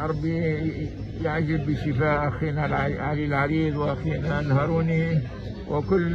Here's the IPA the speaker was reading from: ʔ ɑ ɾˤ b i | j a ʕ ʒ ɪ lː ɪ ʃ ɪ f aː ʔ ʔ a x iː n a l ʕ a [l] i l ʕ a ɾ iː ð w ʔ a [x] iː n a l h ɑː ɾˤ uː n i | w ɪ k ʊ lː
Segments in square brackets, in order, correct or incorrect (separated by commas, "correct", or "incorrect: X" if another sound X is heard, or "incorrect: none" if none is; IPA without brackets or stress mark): correct, correct